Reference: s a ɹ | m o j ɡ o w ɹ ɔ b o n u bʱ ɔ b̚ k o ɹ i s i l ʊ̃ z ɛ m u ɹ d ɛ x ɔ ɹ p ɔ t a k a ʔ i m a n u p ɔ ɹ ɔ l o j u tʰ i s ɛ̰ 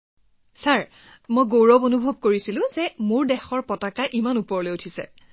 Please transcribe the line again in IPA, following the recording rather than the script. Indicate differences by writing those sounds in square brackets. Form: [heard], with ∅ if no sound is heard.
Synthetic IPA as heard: s a ɹ | m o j ɡ o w ɹ ɔ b o n u bʱ ɔ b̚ k o ɹ i s i l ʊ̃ z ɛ m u ɹ d ɛ x ɔ ɹ p ɔ t a k a ʔ i m a n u p ɔ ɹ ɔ l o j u tʰ i s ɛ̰